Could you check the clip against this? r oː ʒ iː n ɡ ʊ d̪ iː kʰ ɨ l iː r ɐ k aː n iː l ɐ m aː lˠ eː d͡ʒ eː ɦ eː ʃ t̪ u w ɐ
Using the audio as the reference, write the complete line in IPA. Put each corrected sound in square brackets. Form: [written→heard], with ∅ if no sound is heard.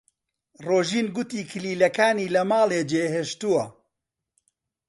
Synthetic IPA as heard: r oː ʒ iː n ɡ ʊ [d̪→t̪] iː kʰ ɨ l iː [r→l] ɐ k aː n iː l ɐ m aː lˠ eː d͡ʒ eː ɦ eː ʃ t̪ u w ɐ